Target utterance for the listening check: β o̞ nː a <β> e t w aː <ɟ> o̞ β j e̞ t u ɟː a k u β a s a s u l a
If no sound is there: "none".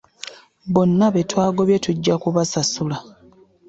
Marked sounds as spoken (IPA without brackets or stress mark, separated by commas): β, ɡ